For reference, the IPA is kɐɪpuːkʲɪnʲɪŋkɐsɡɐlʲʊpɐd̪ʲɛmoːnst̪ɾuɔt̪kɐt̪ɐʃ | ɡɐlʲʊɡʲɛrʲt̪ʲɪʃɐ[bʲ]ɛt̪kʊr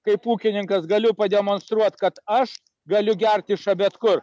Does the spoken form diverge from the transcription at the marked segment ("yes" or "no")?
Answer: no